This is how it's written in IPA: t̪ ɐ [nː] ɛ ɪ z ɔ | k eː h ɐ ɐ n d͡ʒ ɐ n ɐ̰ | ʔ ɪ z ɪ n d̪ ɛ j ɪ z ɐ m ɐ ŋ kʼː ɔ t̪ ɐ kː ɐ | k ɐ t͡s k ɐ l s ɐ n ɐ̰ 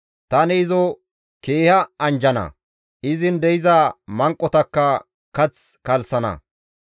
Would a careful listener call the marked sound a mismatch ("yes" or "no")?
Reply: yes